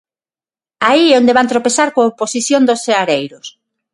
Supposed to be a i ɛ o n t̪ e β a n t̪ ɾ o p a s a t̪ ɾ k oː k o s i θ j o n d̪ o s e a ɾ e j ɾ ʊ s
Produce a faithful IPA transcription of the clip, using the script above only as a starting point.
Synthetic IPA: a i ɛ o n d̪ e β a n t̪ ɾ o p e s a ɾ k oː p o s i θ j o n d̪ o s e a ɾ e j ɾ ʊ s